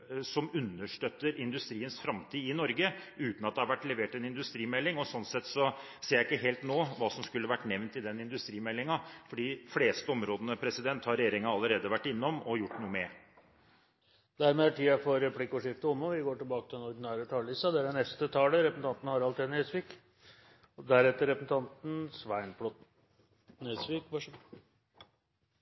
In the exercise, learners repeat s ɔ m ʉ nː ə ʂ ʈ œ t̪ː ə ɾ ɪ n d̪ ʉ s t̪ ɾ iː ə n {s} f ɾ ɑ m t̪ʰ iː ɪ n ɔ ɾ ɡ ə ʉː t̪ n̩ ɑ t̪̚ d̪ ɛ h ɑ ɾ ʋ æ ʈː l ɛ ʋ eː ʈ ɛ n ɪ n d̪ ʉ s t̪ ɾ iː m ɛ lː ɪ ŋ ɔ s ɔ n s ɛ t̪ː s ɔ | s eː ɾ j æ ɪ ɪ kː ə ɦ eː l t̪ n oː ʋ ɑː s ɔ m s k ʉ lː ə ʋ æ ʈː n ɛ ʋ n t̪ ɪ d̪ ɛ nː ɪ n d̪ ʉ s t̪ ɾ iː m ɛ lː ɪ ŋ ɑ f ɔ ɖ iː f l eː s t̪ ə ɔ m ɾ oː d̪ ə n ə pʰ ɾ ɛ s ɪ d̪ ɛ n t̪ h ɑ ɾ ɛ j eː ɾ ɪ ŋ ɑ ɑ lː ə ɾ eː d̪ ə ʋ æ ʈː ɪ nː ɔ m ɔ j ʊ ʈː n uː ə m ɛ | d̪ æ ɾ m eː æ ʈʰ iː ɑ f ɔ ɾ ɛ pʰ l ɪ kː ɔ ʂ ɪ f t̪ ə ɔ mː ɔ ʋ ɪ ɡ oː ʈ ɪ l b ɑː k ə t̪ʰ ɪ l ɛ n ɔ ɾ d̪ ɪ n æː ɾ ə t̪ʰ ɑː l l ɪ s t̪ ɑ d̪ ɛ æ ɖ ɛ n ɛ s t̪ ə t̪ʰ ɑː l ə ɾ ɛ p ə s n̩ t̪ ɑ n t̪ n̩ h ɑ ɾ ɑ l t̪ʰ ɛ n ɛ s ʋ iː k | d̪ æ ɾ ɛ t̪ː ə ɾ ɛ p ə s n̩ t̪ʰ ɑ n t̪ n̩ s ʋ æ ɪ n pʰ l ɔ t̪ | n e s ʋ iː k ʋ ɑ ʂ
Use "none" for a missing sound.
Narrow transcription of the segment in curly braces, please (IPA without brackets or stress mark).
s